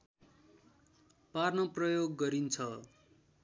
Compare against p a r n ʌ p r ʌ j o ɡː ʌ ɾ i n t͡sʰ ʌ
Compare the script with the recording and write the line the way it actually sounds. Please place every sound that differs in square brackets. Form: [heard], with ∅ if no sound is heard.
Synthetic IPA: p a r n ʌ p r ʌ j o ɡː ʌ ɾ i n t͡sʰ ʌ